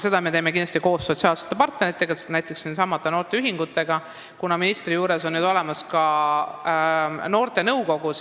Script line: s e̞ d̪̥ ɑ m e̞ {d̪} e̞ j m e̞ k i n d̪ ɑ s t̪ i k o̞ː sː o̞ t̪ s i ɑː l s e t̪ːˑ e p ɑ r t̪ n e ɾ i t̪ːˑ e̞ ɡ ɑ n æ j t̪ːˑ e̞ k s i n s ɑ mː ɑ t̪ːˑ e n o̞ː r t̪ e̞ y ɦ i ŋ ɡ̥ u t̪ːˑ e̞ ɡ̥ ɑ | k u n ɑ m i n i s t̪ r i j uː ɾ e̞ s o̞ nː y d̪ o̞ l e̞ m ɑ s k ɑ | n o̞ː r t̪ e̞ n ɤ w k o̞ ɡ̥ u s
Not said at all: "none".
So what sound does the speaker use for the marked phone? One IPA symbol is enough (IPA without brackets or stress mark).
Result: t̪